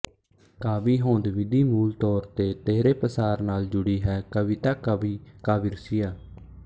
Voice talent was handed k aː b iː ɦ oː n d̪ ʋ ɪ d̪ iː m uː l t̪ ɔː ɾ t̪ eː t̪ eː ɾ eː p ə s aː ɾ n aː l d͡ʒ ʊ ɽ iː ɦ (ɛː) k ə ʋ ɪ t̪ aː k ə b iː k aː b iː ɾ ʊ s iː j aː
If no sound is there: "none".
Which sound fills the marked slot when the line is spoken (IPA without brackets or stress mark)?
ɛː